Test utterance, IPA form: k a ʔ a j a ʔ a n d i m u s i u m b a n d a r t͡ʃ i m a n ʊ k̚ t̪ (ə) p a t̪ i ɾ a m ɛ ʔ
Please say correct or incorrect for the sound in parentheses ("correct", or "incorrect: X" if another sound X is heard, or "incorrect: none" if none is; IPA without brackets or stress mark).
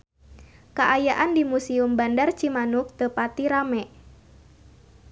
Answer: correct